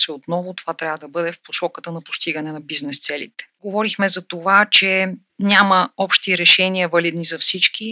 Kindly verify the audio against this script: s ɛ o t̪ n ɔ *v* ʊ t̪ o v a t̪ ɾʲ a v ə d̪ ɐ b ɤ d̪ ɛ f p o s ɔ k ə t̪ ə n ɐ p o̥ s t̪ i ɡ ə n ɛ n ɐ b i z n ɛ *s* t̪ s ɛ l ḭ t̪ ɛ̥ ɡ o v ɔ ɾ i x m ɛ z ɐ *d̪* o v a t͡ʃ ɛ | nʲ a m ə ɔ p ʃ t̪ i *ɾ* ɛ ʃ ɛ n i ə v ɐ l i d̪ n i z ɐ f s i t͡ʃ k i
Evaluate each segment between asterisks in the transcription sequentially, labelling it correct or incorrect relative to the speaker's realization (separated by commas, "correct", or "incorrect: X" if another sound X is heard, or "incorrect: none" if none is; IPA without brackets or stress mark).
correct, correct, incorrect: t̪, correct